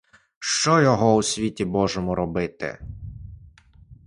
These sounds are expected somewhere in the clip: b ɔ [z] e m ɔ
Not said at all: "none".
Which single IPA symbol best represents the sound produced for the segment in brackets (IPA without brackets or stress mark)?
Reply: ʒ